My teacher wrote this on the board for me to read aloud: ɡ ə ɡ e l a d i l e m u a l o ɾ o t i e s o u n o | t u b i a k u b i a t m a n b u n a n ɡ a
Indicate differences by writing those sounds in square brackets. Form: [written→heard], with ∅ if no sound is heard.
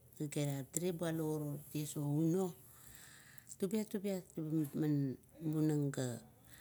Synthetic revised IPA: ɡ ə ɡ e [l→ɾ] a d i [l→ɾ] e [m→b] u a l o ɾ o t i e s o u n o | t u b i a [k→t] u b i a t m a n b u n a [n→ŋ] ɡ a